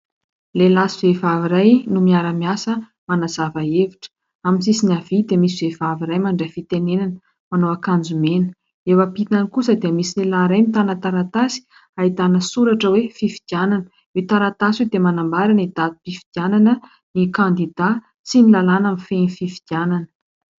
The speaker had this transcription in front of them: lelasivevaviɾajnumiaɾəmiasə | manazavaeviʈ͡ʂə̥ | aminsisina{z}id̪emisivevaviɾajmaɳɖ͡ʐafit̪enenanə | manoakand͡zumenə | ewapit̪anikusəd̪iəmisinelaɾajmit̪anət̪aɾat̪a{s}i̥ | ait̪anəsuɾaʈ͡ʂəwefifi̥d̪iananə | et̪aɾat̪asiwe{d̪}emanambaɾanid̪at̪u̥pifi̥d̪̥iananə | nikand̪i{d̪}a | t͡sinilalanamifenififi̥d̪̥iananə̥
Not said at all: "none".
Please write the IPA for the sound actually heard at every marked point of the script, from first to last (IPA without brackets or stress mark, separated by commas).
v, s, d̪, d̪